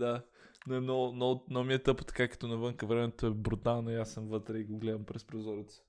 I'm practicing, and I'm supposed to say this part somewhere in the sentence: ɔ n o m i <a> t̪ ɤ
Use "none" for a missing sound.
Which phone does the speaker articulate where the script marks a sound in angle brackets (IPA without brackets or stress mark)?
ɛ